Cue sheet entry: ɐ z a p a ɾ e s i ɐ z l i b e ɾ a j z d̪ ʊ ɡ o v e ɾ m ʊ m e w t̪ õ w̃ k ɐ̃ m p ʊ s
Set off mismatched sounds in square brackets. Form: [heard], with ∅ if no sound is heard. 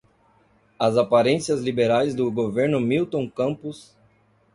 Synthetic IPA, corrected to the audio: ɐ z a p a ɾ [ẽ] s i ɐ z l i b e ɾ a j z d̪ ʊ ɡ o v e ɾ [n] ʊ m [i] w t̪ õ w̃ k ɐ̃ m p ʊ s